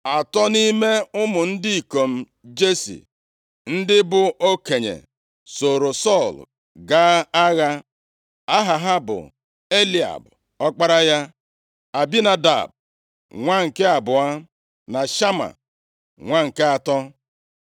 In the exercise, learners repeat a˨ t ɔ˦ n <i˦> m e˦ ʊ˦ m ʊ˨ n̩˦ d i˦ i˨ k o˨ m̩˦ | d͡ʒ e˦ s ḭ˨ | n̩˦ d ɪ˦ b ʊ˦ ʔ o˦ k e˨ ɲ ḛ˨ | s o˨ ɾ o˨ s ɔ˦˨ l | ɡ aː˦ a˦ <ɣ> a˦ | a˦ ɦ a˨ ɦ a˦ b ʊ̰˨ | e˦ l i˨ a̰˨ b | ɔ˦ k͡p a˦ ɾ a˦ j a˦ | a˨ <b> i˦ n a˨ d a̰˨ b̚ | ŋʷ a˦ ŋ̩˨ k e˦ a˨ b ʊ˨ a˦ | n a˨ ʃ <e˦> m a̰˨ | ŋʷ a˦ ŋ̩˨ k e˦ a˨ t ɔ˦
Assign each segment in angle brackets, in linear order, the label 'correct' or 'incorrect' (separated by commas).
correct, correct, correct, incorrect